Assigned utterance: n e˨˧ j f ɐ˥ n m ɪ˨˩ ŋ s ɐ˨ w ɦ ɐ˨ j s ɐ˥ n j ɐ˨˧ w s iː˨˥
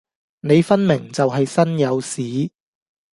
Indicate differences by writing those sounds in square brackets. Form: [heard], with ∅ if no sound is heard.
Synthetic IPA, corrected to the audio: n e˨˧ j f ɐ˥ n m ɪ˨˩ ŋ [t͡s] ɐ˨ w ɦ ɐ˨ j s ɐ˥ n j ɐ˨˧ w s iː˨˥